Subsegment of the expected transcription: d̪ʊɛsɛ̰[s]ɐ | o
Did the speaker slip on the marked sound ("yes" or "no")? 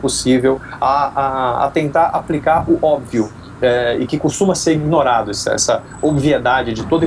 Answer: no